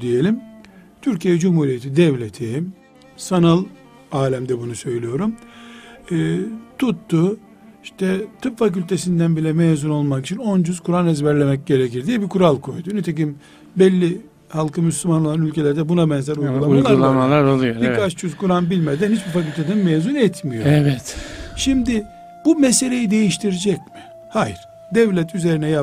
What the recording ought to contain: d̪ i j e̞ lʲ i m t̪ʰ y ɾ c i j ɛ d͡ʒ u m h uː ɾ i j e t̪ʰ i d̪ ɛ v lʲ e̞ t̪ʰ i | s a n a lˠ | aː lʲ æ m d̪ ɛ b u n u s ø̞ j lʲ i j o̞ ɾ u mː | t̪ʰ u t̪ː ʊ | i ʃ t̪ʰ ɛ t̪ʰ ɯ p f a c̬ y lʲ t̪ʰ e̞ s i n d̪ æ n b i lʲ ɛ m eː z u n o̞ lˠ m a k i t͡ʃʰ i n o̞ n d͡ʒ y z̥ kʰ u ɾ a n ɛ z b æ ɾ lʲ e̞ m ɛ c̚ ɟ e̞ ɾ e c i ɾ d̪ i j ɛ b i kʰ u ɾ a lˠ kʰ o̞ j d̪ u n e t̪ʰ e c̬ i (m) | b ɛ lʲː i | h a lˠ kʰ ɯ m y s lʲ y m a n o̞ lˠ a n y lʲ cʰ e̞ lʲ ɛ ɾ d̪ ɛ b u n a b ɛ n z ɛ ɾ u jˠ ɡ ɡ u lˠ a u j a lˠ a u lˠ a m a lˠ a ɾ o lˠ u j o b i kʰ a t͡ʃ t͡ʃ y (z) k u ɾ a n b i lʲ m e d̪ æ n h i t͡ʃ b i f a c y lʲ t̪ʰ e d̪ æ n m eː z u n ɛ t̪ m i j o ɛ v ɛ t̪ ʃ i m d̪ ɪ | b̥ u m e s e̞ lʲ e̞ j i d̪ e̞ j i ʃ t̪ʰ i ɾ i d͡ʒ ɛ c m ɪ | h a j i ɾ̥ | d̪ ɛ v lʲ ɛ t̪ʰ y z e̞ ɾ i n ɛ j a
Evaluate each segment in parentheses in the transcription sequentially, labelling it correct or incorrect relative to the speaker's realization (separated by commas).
correct, correct